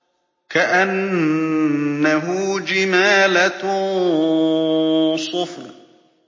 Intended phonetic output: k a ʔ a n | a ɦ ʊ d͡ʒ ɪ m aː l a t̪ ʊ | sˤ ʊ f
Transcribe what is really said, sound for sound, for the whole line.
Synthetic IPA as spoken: k a ʔ a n | a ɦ ʊ d͡ʒ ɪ m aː l a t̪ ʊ | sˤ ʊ f